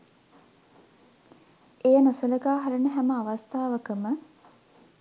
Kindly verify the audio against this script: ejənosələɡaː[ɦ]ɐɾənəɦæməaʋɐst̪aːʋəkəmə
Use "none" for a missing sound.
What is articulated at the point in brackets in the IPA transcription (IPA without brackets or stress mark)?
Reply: ɦ